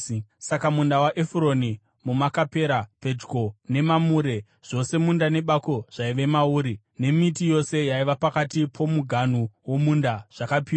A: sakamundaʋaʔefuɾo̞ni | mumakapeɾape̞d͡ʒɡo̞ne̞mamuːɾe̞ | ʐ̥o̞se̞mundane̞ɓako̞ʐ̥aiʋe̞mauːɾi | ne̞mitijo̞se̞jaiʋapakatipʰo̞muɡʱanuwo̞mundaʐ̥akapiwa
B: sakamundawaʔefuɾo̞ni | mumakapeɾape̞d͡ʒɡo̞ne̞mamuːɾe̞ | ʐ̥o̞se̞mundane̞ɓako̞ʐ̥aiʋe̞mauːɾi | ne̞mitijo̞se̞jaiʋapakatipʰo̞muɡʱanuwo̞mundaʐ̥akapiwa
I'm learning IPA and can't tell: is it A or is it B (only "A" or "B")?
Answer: B